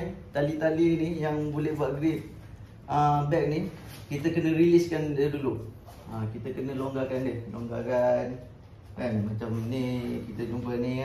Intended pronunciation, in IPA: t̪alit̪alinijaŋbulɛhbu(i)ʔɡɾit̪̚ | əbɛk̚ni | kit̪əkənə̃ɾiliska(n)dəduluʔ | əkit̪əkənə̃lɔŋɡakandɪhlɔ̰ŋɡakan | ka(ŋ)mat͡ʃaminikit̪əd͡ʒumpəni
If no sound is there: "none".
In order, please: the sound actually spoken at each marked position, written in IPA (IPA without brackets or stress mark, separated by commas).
a, n, n